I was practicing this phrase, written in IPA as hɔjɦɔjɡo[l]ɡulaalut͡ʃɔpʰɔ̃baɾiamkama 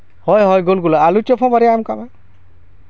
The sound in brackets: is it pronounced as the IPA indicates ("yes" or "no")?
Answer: yes